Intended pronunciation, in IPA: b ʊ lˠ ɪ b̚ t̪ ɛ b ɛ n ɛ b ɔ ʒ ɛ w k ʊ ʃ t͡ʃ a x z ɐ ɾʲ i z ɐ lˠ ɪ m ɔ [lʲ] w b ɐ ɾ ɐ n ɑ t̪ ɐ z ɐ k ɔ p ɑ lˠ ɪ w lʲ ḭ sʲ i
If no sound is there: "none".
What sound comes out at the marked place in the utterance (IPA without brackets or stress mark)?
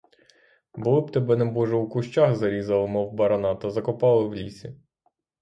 none